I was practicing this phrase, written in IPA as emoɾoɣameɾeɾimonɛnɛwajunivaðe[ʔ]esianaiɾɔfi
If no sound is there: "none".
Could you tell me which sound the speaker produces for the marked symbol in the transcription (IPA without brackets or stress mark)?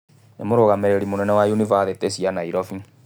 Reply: t